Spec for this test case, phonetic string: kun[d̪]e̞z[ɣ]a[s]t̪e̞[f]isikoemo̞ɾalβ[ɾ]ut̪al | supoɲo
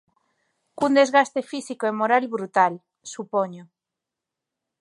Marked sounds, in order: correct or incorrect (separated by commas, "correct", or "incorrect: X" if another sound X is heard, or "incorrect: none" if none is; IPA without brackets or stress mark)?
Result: correct, correct, correct, correct, correct